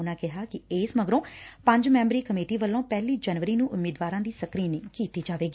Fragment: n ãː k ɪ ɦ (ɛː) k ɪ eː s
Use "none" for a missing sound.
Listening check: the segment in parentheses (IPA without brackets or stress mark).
aː